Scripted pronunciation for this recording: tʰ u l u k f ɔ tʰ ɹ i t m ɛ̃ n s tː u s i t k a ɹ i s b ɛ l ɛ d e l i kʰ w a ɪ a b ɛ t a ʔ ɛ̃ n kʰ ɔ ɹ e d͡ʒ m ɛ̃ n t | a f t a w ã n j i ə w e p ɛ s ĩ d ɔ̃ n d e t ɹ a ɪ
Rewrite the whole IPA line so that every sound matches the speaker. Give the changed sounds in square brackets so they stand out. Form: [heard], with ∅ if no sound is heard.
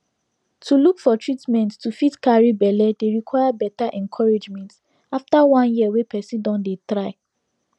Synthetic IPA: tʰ u l u k f ɔ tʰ ɹ i t m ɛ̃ n [t] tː u [f] i t k a ɹ i [∅] b ɛ l ɛ d e [ɹ] i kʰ w a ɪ a b ɛ t a ʔ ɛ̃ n kʰ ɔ ɹ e d͡ʒ m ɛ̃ n t | a f t a w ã n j i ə w e p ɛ s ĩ d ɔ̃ n d e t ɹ a ɪ